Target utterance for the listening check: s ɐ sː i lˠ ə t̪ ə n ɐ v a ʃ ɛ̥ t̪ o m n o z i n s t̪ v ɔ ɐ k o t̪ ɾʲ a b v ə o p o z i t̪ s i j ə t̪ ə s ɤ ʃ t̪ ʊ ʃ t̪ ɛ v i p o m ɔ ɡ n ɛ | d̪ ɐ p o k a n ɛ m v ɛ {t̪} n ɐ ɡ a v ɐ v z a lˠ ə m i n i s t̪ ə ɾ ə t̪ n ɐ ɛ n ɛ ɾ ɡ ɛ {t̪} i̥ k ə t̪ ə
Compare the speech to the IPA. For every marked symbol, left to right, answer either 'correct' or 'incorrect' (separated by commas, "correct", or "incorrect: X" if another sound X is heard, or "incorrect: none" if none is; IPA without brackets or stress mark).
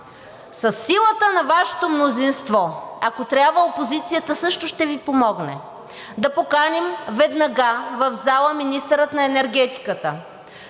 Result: incorrect: d̪, correct